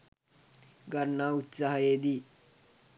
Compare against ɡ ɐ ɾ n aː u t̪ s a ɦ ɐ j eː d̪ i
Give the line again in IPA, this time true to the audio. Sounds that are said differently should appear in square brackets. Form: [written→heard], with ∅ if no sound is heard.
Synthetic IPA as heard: ɡ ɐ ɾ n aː u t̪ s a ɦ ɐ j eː d̪ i